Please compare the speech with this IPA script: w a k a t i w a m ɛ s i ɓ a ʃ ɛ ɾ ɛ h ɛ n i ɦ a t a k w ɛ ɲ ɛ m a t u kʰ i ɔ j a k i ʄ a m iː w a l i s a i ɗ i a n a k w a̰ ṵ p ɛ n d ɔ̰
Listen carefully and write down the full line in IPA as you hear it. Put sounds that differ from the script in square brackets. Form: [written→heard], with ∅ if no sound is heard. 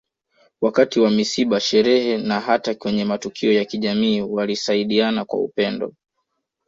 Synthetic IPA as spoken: w a k a t i w a m [ɛ→i] s i ɓ a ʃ ɛ ɾ ɛ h ɛ n [i→a] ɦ a t a k w ɛ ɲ ɛ m a t u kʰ i ɔ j a k i ʄ a m iː w a l i s a i ɗ i a n a k w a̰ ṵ p ɛ n d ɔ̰